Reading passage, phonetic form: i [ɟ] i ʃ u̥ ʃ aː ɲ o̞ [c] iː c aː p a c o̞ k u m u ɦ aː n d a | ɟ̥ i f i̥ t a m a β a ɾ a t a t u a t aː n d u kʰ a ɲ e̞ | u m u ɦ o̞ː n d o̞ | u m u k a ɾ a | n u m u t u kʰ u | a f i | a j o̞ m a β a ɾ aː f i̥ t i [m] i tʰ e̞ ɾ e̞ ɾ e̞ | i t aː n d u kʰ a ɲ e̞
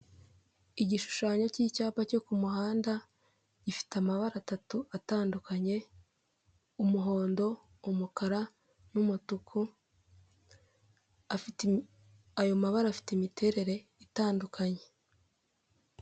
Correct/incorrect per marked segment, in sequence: correct, correct, correct

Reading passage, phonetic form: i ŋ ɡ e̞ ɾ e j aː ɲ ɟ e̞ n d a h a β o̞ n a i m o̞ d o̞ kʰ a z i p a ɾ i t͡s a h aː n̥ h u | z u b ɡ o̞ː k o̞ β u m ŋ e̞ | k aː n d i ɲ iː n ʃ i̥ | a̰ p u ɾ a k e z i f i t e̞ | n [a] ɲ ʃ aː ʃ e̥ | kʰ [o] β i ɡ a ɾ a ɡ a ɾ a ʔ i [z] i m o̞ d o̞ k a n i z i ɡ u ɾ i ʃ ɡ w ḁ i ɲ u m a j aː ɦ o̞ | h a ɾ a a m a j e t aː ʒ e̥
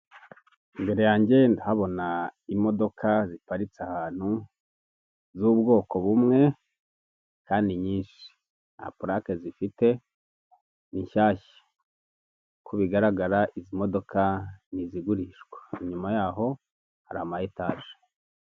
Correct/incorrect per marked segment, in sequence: incorrect, incorrect, correct

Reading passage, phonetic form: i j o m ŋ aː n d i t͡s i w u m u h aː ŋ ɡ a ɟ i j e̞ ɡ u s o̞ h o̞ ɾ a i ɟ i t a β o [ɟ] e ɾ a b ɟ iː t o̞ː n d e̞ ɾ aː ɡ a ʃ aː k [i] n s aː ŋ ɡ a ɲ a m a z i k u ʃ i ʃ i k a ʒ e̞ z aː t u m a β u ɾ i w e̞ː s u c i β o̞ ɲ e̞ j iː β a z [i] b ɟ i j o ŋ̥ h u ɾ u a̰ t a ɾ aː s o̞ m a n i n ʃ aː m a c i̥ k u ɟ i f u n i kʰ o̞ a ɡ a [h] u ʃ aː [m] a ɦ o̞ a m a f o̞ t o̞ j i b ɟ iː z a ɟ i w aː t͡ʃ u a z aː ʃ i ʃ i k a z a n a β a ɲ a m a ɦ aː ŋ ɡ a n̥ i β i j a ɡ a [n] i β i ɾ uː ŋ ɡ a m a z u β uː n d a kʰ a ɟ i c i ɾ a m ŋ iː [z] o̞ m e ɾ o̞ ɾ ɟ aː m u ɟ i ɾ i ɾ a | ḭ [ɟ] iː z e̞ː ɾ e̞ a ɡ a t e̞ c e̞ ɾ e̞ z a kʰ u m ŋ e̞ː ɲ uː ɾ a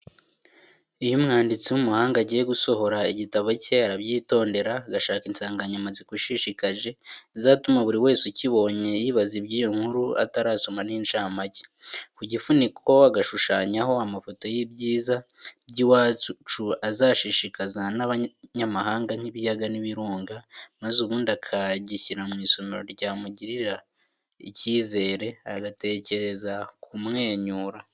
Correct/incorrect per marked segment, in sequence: incorrect, correct, correct, incorrect, incorrect, correct, incorrect, incorrect

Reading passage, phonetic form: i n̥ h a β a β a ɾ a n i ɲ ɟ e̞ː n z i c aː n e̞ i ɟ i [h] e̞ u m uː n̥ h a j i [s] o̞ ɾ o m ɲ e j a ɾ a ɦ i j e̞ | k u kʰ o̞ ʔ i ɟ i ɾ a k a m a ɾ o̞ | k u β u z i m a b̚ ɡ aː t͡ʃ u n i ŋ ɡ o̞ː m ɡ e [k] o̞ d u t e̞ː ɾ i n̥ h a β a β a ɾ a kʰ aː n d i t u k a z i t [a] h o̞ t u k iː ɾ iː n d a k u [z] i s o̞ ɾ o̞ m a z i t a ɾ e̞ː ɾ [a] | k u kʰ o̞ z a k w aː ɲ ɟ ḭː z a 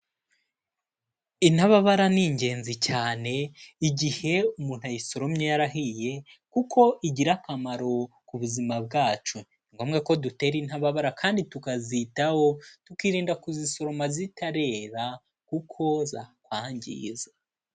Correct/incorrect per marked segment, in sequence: correct, correct, correct, correct, correct, correct

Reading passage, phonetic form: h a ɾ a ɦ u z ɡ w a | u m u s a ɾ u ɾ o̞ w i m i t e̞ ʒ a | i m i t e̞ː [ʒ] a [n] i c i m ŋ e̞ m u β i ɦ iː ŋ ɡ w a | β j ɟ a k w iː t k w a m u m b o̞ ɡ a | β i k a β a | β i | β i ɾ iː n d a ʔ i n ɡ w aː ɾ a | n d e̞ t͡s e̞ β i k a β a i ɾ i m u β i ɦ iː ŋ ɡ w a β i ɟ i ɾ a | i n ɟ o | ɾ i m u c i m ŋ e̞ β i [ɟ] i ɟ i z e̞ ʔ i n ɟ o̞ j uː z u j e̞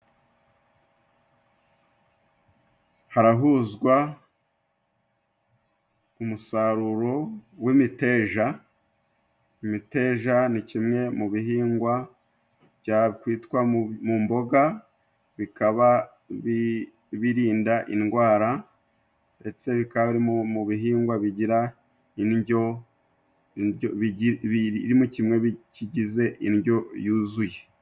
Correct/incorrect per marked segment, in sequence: correct, correct, incorrect

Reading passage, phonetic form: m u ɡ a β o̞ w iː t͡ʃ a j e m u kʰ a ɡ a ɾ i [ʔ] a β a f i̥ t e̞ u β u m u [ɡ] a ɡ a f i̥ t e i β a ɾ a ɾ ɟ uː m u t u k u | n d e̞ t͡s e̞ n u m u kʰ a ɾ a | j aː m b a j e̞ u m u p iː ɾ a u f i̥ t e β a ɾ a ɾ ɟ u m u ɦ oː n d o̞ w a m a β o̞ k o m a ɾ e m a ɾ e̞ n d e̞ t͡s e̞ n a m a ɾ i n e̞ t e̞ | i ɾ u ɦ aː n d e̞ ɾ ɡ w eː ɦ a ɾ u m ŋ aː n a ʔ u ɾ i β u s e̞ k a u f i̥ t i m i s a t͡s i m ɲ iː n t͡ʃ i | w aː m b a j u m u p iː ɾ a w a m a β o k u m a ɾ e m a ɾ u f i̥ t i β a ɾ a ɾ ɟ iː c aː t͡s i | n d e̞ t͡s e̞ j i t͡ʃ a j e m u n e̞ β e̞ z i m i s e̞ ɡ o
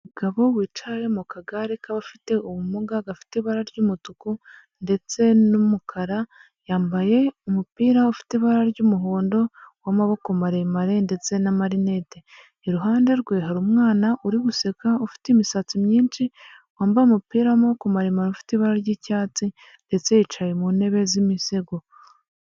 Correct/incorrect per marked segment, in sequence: incorrect, correct

